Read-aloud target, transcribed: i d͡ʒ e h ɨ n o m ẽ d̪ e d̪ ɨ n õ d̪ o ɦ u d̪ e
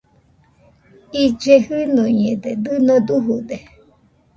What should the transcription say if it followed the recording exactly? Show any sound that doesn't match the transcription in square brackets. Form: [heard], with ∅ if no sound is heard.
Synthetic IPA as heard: i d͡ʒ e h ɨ n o [ɲ] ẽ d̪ e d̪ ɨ n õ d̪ [u] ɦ u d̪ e